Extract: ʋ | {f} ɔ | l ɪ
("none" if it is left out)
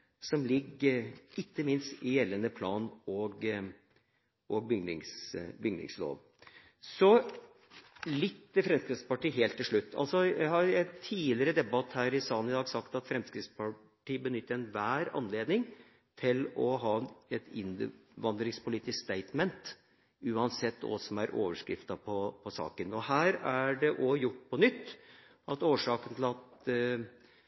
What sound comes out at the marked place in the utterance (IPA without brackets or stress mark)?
s